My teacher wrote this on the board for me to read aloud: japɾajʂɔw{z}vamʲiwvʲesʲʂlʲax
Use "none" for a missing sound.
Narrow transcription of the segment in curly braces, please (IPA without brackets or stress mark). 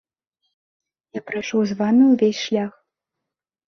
z